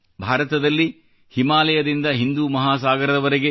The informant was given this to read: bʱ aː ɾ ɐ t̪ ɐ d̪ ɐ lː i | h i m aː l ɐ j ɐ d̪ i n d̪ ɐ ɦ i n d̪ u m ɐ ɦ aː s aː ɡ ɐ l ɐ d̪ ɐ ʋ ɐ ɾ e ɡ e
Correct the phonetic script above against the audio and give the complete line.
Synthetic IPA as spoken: bʱ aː ɾ ɐ t̪ ɐ d̪ ɐ lː i | h i m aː l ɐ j ɐ d̪ i n d̪ ɐ ɦ i n d̪ u m ɐ ɦ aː s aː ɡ ɐ ɾ ɐ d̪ ɐ ʋ ɐ ɾ e ɡ e